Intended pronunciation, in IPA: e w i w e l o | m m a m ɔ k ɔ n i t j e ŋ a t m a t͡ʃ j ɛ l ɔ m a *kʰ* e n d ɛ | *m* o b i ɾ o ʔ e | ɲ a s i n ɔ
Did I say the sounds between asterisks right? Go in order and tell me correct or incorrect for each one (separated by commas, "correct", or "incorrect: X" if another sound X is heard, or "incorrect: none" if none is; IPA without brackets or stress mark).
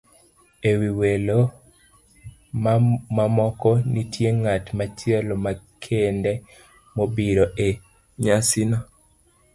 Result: correct, correct